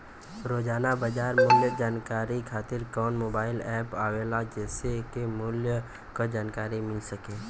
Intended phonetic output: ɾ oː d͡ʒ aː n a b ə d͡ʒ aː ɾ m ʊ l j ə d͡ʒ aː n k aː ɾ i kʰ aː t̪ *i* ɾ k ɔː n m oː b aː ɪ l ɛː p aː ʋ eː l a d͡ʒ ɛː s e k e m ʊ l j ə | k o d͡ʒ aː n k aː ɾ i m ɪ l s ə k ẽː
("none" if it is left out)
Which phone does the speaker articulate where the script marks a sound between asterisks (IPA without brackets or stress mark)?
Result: ɪ